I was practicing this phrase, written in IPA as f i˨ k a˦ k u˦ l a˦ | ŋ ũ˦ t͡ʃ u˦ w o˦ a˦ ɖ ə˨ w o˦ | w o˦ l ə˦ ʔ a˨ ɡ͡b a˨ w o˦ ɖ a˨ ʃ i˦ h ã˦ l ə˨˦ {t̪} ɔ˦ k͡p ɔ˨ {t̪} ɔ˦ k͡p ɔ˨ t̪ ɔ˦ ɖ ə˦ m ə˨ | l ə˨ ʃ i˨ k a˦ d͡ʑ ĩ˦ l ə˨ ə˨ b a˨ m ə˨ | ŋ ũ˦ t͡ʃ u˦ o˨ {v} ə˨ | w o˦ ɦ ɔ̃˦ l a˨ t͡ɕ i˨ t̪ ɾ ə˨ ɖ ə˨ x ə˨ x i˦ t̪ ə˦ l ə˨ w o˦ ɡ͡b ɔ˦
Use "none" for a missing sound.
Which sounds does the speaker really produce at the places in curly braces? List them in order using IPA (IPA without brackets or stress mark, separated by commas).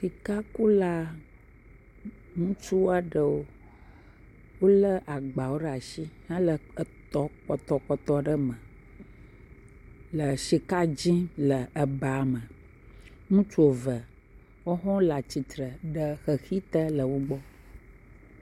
t̪, t̪, v